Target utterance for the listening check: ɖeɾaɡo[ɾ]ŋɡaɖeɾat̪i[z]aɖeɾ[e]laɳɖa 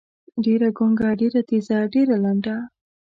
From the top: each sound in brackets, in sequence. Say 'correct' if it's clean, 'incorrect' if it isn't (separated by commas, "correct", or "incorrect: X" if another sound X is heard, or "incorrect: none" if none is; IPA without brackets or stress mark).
incorrect: none, correct, incorrect: a